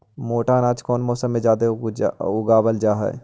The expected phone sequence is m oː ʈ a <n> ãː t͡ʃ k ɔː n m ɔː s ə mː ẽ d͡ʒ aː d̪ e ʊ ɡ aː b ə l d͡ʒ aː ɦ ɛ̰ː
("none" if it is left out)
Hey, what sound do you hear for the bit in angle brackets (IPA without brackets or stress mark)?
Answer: n